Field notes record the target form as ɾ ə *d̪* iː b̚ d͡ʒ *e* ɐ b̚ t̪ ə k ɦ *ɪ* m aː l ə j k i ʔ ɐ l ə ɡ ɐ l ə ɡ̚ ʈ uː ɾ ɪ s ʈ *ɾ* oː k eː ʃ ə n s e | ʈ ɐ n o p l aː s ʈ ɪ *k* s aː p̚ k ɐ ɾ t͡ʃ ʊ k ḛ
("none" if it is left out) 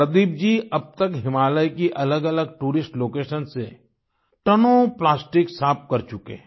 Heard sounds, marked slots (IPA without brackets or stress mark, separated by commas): d̪, i, ɪ, l, k